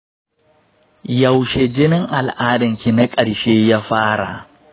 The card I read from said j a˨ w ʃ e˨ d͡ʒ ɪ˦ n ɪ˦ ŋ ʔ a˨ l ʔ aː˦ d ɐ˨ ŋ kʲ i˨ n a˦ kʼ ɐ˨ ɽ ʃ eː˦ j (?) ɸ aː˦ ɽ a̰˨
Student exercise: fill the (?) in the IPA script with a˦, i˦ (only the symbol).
a˦